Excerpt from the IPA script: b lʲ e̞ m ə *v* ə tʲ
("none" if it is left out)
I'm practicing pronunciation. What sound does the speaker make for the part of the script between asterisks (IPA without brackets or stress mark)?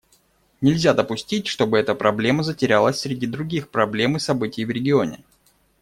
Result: z